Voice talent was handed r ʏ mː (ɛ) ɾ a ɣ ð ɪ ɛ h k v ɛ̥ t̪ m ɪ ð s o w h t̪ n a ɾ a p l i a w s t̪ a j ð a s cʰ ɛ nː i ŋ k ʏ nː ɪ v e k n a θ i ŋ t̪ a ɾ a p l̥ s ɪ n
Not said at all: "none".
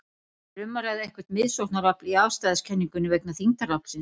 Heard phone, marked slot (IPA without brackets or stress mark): a